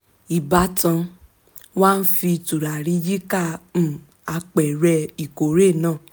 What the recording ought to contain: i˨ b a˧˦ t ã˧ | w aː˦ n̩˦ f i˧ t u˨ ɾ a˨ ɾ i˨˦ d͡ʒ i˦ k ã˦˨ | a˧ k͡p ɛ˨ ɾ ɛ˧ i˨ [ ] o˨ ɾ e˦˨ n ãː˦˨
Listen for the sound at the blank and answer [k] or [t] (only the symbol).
k